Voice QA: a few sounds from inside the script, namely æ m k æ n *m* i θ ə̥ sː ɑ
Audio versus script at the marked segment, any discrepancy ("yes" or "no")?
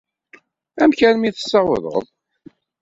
no